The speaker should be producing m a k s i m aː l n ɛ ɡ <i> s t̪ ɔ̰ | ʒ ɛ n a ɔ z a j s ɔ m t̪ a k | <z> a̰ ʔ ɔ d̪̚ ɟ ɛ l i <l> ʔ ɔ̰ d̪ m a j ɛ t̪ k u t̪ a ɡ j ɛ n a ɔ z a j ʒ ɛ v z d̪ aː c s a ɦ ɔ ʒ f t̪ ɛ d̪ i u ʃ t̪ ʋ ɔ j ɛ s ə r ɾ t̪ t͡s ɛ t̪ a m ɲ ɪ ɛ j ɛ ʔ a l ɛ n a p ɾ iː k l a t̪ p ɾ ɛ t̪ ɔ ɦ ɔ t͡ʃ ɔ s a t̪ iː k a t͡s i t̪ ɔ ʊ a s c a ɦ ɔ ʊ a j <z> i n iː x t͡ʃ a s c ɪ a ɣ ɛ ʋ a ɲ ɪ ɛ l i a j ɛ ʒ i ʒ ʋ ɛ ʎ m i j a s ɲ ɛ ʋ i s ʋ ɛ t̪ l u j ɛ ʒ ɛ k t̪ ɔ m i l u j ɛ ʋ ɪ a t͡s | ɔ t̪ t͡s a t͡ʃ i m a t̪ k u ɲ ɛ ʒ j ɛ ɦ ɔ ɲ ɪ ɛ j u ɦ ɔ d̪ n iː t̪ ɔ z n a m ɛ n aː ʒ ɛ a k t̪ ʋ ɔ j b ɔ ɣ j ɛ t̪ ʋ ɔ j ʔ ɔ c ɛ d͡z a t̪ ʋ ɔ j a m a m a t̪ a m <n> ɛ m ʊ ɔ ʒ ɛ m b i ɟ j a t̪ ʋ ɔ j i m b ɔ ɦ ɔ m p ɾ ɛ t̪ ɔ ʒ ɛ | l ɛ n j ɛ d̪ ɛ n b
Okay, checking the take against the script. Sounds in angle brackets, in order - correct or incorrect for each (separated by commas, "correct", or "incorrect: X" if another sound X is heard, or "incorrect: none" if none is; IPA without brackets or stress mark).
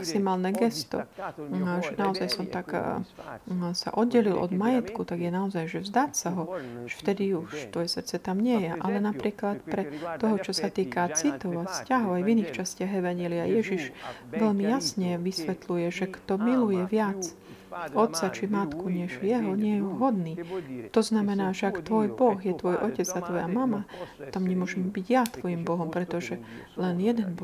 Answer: incorrect: ɛ, incorrect: s, correct, incorrect: v, incorrect: ɲ